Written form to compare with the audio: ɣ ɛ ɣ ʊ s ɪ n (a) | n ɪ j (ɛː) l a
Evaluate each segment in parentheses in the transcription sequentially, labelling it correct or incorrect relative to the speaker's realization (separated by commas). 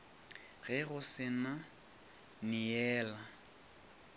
correct, correct